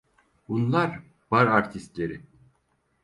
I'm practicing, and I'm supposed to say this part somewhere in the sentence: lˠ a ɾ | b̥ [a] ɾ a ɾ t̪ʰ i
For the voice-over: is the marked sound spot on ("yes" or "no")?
yes